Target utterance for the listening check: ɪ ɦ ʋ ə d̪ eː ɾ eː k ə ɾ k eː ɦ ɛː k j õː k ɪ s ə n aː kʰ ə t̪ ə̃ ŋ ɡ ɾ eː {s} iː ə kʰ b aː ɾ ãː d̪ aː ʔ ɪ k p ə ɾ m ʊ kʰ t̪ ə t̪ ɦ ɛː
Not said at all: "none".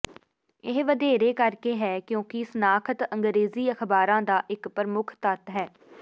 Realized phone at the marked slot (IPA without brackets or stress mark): z